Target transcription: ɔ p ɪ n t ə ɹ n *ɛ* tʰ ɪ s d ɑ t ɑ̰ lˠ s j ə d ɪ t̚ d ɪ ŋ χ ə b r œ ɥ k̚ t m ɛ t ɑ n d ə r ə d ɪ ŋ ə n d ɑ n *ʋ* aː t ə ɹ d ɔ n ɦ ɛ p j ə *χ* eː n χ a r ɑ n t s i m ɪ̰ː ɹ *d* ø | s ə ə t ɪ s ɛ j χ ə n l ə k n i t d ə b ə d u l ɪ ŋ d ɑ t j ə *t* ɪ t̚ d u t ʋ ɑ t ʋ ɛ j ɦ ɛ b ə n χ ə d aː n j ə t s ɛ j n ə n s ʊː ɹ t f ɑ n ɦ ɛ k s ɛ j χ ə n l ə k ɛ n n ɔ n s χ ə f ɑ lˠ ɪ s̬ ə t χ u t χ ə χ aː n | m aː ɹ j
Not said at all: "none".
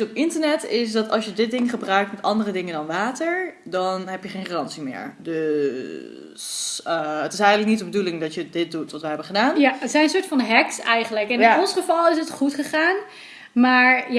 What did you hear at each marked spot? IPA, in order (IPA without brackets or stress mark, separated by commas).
ɛ, ʋ, χ, d, d